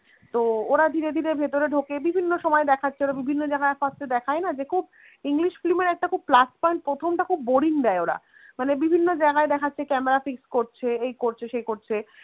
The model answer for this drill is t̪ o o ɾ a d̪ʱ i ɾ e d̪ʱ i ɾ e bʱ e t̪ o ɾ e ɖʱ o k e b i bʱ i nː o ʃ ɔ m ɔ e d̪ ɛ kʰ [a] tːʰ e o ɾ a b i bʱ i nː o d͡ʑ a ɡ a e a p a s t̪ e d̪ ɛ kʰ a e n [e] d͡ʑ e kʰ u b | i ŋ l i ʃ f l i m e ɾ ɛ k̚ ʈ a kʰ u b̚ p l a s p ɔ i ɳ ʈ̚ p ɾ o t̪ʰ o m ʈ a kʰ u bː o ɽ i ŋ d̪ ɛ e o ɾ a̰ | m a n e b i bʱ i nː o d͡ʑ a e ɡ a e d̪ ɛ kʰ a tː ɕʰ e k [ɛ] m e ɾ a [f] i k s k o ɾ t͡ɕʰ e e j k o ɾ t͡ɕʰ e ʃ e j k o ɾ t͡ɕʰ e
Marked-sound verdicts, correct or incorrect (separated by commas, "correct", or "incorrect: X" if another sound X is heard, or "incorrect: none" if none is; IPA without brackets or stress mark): correct, incorrect: a, correct, correct